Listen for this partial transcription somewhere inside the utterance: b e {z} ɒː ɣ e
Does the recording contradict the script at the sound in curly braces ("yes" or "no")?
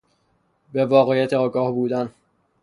yes